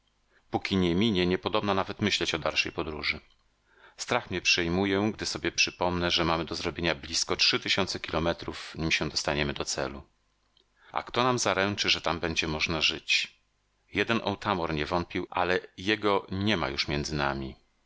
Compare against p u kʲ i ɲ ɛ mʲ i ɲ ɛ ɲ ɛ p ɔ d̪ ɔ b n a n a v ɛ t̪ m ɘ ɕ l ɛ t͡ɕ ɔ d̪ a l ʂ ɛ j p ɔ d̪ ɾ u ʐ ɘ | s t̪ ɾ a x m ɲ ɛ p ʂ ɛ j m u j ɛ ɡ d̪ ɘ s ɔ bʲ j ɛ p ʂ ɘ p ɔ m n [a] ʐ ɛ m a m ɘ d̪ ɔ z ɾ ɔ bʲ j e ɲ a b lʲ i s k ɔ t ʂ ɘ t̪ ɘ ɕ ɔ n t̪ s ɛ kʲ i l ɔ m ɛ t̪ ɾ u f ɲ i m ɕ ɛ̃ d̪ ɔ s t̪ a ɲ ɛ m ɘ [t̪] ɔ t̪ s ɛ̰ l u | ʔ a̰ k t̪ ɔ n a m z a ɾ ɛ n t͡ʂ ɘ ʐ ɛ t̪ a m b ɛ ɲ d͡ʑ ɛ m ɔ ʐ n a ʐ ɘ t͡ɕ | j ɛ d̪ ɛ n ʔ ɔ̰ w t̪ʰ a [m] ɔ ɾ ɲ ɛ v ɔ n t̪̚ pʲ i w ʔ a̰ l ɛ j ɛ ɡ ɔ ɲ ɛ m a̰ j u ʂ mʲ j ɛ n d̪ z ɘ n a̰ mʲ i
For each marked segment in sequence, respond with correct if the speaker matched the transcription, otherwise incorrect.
incorrect: ɛ, incorrect: d̪, correct

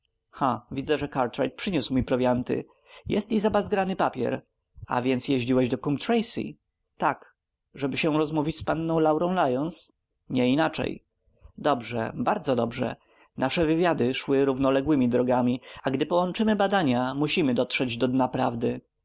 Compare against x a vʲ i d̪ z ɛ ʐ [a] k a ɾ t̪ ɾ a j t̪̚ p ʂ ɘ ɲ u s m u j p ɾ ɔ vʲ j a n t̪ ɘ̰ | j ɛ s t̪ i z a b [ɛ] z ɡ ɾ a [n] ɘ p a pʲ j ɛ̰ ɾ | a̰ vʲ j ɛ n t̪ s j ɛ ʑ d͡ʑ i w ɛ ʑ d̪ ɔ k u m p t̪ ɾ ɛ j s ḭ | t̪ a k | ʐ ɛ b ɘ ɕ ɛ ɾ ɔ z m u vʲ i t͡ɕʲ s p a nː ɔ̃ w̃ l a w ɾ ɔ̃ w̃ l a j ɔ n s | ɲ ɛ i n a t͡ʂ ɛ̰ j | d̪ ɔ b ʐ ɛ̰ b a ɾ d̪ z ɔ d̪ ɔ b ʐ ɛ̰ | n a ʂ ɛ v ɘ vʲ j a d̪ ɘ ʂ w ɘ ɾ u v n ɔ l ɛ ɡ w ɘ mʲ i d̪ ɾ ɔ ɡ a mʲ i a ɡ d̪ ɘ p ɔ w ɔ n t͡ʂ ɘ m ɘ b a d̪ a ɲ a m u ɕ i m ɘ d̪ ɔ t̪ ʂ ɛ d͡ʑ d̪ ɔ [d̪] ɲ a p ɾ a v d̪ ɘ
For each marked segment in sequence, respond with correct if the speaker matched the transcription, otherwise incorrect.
incorrect: ɛ, incorrect: a, correct, correct

